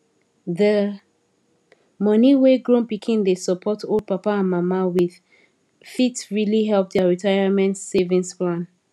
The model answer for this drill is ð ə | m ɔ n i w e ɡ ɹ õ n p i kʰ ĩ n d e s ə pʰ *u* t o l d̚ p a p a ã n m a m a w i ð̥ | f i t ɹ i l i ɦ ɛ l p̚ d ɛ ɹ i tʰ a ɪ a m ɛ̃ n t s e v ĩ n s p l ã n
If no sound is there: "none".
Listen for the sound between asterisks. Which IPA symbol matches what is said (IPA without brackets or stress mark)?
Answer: ɔ